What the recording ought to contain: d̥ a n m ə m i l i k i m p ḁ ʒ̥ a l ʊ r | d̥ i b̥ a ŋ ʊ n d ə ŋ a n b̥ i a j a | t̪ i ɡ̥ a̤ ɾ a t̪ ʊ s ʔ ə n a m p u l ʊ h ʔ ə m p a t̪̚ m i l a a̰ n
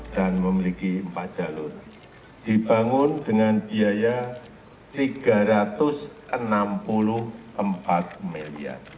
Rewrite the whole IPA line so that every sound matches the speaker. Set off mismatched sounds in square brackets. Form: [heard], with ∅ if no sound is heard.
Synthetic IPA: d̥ a n m ə m i l i k i m p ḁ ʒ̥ a l ʊ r | d̥ i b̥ a ŋ ʊ n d ə ŋ a n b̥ i a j a | t̪ i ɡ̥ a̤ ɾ a t̪ ʊ s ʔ ə n a m p u l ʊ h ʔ ə m p a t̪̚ m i l [i] a̰ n